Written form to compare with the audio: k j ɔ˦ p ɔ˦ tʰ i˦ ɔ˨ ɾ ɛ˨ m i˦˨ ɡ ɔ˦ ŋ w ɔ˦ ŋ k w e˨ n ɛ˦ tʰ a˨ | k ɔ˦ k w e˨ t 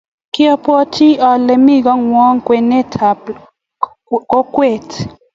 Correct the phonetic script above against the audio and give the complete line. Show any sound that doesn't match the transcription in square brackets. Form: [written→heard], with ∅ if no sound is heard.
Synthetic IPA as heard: k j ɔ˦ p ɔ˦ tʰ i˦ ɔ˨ [ɾ→l] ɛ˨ m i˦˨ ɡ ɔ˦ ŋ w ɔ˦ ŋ k w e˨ n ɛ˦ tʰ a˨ | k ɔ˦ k w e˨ t